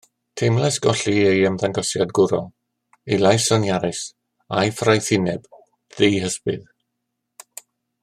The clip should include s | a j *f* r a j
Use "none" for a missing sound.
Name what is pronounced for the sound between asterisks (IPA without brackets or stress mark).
f